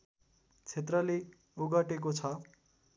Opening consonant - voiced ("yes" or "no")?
no